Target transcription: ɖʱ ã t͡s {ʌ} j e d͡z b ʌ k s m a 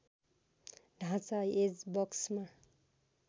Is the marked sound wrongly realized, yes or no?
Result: yes